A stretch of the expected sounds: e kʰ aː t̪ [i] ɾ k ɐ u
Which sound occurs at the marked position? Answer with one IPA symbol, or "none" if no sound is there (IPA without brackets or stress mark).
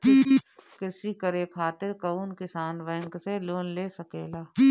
ɪ